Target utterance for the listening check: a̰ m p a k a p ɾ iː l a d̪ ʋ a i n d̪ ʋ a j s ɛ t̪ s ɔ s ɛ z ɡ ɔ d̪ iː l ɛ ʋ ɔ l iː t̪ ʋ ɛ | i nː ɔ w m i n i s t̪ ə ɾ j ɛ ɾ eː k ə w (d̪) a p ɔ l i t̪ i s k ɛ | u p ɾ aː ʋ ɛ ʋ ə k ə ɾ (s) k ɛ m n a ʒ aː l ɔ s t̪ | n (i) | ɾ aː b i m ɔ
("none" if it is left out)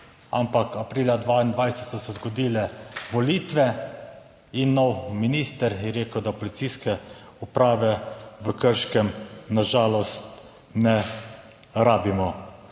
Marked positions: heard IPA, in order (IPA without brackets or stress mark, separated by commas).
d̪, ʃ, ɛ